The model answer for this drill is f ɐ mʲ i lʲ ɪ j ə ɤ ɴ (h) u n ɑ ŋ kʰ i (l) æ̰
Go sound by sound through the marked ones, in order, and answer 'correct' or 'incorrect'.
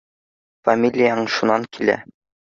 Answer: incorrect: ʃ, correct

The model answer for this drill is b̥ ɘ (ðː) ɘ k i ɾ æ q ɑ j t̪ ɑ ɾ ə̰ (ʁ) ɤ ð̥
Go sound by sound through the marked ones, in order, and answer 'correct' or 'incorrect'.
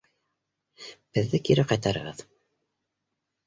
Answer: correct, correct

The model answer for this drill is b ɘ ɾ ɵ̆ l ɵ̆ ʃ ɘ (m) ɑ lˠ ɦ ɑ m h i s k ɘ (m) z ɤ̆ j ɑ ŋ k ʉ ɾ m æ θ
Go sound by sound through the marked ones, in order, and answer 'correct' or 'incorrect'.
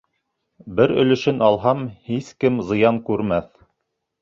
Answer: incorrect: n, correct

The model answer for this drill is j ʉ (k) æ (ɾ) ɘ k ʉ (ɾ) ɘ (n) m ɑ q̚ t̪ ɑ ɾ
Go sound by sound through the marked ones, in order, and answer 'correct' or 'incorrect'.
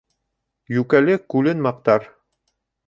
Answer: correct, incorrect: l, incorrect: l, correct

